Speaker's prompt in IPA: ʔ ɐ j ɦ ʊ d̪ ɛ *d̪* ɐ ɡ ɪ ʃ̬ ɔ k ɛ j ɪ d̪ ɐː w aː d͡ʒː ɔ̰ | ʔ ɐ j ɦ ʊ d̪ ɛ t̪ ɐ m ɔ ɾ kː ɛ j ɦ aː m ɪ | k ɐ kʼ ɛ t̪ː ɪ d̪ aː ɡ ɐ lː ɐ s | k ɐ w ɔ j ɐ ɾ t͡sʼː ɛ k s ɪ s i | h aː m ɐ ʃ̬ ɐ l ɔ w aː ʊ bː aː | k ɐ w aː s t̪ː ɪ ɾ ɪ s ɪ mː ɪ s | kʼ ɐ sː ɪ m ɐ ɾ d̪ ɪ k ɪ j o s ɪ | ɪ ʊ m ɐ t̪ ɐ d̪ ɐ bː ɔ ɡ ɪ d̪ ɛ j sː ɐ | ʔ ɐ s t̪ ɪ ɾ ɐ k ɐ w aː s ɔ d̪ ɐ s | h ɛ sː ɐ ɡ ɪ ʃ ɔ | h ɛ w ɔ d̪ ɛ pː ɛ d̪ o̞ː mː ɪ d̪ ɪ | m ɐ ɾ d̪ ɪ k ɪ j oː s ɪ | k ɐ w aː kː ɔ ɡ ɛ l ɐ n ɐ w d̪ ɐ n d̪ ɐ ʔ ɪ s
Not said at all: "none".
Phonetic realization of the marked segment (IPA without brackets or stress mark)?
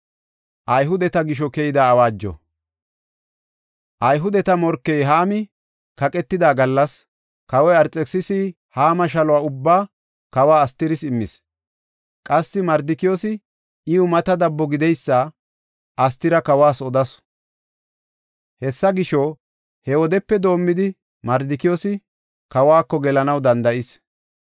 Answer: t̪